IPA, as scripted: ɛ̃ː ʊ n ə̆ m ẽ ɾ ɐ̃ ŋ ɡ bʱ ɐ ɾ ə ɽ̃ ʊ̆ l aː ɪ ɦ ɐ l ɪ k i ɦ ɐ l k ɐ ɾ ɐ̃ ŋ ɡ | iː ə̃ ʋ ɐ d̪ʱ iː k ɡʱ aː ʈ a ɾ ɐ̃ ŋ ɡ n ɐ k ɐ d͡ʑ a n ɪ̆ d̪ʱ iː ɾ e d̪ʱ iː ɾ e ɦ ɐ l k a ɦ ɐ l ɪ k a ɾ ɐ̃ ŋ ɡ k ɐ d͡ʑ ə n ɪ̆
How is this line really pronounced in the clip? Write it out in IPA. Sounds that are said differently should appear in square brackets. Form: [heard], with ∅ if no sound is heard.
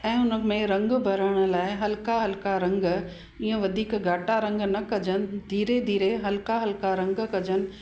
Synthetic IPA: ɛ̃ː ʊ n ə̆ m ẽ ɾ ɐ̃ ŋ ɡ bʱ ɐ ɾ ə ɽ̃ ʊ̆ l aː ɪ ɦ ɐ l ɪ k [a] ɦ ɐ l k [a] ɾ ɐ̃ ŋ ɡ | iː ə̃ ʋ ɐ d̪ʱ iː k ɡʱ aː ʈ a ɾ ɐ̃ ŋ ɡ n ɐ k ɐ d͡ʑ [ə] n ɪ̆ d̪ʱ iː ɾ e d̪ʱ iː ɾ e ɦ ɐ l k a ɦ ɐ l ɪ k a ɾ ɐ̃ ŋ ɡ k ɐ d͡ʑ ə n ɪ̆